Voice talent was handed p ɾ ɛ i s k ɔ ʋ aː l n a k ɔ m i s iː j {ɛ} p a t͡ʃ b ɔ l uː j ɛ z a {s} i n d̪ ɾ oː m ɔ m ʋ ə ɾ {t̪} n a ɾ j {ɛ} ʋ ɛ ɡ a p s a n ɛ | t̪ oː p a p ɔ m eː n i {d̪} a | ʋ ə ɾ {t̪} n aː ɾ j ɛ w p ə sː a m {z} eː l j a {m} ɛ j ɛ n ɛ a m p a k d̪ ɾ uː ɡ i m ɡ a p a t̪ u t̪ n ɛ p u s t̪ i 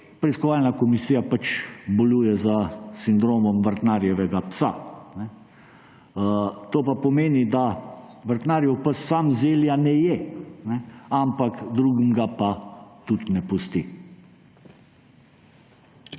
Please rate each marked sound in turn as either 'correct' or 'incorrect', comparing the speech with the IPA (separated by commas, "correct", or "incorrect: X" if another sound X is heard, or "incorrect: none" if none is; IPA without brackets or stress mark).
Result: incorrect: a, correct, correct, correct, correct, correct, correct, incorrect: n